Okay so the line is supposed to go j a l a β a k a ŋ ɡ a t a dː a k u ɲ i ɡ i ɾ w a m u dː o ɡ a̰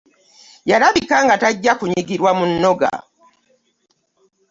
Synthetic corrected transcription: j a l a β i k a ŋ ɡ a t a ɟː a k u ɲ i ɡ i ɾ w a m u nː o ɡ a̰